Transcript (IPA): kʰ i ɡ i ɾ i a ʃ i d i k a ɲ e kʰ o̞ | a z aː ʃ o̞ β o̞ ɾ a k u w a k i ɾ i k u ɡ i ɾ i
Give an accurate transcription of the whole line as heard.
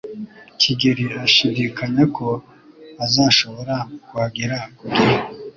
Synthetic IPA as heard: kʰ i ɡ i ɾ i a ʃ i d i k a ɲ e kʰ o̞ | a z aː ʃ o̞ β o̞ ɾ a k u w a ɡ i ɾ a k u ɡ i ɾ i